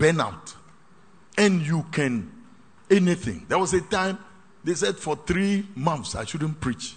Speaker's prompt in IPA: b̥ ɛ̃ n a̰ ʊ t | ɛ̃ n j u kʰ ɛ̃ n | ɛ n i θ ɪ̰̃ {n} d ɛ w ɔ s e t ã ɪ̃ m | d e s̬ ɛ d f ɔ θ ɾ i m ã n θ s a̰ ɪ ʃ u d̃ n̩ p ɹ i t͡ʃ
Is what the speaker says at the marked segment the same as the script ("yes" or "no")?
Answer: no